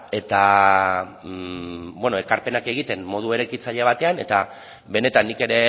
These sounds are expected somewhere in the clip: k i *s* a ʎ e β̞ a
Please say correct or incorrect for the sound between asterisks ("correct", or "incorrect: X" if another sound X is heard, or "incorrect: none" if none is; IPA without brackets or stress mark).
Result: incorrect: t͡s